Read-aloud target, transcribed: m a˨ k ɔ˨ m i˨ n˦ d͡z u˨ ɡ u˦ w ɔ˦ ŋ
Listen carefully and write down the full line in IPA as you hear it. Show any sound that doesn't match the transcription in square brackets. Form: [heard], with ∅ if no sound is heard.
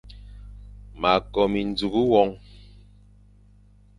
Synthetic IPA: m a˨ k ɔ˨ m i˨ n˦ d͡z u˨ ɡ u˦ w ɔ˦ ŋ